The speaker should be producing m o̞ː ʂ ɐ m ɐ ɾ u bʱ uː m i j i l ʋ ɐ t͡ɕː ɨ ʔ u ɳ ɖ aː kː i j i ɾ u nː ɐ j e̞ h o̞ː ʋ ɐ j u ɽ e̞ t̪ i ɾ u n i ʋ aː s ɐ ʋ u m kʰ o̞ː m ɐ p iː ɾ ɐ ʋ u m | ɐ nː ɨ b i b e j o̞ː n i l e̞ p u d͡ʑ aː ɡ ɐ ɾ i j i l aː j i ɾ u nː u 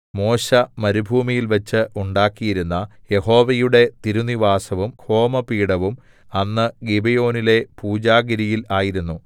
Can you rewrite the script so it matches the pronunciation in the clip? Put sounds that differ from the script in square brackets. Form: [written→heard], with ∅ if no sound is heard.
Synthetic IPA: m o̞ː [ʂ→ɕ] ɐ m ɐ ɾ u bʱ uː m i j i l ʋ ɐ t͡ɕː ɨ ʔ u ɳ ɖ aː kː i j i ɾ u nː ɐ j e̞ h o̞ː ʋ ɐ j u ɽ e̞ t̪ i ɾ u n i ʋ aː s ɐ ʋ u m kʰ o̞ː m ɐ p iː [ɾ→ɽ] ɐ ʋ u m | ɐ nː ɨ [b→ɡ] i b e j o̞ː n i l e̞ p [u→uː] d͡ʑ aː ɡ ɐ ɾ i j i l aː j i ɾ u nː u